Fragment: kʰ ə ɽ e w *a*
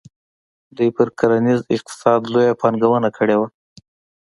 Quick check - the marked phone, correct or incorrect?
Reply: correct